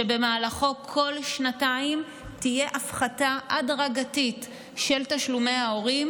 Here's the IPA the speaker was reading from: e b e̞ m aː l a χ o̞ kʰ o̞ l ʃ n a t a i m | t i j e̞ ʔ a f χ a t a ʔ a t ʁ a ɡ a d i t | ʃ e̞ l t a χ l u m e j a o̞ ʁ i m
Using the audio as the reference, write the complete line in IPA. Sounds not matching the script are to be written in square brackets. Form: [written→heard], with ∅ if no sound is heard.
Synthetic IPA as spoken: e b e̞ m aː l a χ o̞ kʰ o̞ l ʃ n a t a i m | t i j e̞ ʔ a f χ a t a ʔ a [t→d] ʁ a ɡ a [d→t] i t | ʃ e̞ l t a [χ→ʃ] l u m e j a o̞ ʁ i m